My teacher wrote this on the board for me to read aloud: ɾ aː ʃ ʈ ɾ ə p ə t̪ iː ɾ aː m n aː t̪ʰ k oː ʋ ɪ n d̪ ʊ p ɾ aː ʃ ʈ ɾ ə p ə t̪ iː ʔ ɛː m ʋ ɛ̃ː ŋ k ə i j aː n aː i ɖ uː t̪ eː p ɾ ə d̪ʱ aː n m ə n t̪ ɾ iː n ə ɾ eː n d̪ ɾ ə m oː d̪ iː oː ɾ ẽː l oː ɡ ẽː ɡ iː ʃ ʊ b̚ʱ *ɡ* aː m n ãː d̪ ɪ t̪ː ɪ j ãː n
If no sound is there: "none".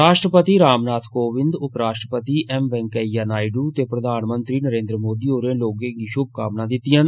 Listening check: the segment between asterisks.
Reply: k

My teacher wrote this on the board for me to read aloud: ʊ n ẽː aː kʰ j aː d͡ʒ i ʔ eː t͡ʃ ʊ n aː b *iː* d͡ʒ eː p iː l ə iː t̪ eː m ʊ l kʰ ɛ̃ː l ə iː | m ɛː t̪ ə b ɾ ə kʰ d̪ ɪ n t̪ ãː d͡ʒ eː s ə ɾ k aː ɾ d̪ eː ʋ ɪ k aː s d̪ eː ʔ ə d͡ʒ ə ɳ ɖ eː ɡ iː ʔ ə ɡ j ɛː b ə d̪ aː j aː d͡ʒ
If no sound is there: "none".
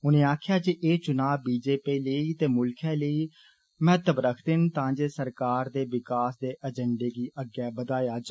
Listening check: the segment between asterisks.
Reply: iː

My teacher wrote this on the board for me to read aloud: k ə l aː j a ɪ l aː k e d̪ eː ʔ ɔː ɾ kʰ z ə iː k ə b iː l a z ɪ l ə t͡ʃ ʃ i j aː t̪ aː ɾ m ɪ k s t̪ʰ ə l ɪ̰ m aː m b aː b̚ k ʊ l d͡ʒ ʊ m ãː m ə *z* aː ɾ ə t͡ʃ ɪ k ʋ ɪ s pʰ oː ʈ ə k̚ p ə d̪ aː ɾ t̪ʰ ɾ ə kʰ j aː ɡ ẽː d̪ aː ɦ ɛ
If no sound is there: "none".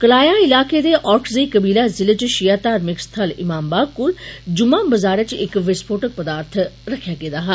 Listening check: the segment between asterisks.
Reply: z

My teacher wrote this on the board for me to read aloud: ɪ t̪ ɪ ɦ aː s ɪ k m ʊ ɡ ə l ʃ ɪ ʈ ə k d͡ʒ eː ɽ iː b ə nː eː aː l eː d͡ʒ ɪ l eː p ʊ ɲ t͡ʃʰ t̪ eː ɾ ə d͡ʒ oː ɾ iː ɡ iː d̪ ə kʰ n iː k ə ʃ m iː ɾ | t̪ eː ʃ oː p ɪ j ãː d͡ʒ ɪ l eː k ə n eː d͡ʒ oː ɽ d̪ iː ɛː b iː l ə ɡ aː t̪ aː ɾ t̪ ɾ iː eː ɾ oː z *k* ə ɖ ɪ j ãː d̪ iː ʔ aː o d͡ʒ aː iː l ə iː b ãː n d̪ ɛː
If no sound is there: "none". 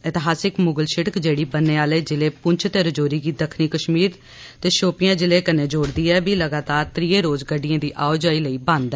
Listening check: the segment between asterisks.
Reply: ɡ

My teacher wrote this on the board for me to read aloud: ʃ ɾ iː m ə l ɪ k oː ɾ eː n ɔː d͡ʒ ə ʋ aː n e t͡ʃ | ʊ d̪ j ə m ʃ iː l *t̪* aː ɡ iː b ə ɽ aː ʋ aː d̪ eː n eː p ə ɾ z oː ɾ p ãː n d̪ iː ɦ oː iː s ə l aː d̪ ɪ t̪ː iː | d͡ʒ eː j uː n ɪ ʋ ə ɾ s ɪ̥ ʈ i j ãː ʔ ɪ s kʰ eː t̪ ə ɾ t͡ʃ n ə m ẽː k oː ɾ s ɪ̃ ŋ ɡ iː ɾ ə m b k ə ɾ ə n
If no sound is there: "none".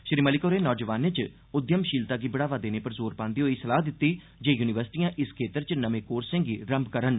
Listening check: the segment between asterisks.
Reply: t̪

